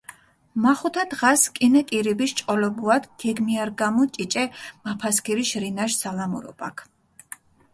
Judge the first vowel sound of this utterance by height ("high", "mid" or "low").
low